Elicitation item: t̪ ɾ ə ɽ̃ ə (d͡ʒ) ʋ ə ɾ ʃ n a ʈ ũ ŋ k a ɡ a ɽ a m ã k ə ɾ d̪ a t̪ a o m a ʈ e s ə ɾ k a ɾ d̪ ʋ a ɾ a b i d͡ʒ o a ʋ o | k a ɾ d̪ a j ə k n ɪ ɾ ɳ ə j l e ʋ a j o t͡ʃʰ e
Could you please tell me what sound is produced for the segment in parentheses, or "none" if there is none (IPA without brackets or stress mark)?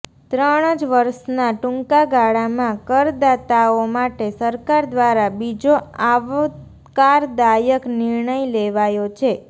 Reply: d͡ʒ